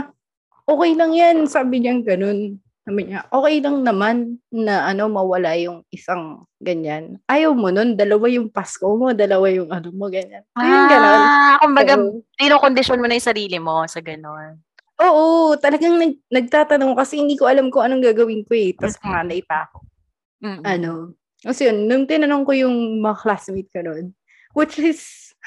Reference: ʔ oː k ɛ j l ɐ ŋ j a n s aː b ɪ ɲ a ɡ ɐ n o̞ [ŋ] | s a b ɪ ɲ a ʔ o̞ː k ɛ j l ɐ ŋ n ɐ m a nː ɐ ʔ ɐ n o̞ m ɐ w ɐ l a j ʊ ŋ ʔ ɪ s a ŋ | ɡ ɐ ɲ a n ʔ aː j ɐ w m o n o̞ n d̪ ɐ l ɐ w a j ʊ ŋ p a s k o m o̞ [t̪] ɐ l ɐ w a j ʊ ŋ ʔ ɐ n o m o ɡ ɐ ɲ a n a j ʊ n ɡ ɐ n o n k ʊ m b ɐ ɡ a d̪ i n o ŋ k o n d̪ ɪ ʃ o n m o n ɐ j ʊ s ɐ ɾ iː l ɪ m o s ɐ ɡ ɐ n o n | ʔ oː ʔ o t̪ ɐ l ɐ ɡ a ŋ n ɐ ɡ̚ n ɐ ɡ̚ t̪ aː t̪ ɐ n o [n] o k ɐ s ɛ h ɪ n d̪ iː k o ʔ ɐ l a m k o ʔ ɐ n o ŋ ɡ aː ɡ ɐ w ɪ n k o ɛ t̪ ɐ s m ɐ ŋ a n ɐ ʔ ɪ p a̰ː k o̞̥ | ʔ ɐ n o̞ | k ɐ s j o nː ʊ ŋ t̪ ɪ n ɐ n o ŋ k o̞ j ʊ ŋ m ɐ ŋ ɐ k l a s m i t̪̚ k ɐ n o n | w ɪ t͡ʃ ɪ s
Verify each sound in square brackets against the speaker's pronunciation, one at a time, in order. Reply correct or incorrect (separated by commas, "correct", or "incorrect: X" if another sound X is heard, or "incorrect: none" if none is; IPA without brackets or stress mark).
incorrect: n, incorrect: d̪, incorrect: ŋ